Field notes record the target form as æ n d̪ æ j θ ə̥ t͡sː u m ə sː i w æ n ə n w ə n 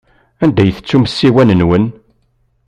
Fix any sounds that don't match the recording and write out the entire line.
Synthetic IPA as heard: æ n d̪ æ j θ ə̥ t͡sː u m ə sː i w æ n ə n w ə n